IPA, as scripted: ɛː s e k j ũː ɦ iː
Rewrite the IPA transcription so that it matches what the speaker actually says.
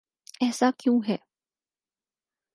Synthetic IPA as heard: ɛː s a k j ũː ɦ ɛː